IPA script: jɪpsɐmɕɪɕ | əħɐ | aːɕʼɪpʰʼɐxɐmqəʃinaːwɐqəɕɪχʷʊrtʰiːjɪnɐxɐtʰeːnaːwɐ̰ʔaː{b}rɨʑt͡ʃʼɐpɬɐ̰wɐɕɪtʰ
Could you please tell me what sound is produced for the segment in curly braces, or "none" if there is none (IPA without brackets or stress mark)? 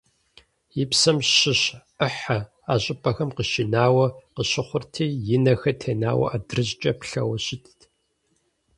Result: d